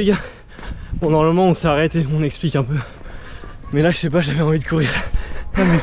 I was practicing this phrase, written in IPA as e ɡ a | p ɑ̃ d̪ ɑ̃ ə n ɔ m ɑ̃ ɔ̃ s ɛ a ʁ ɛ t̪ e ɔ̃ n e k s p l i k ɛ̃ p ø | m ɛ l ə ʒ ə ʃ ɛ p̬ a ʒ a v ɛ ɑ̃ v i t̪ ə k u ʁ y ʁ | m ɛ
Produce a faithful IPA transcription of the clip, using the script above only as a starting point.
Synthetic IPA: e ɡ a | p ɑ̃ d̪ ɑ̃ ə m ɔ m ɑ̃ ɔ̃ s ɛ a ʁ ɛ t̪ e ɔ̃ n ɛ k s p l i k ɛ̃ p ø | m ɛ l a ʒ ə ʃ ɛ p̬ a ʒ a v ɛ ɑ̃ v i d̪ ə k u ʁ i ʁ | m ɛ